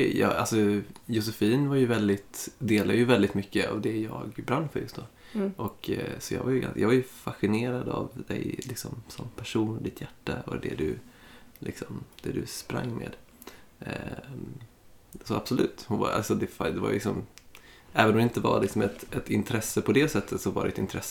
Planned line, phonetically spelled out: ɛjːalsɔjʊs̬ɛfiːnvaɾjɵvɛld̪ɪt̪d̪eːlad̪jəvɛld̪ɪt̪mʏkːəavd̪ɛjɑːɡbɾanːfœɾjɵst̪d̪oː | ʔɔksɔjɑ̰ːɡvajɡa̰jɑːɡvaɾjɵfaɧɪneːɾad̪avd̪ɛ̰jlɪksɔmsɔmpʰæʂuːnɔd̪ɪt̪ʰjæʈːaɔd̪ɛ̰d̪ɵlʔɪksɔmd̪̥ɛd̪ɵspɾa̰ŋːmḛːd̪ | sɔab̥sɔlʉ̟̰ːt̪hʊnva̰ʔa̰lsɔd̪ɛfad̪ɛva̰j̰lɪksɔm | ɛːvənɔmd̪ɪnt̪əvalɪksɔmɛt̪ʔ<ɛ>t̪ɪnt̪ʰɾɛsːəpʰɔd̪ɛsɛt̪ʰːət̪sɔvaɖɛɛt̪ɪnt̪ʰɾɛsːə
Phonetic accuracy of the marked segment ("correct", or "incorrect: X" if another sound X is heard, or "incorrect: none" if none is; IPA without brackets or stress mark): correct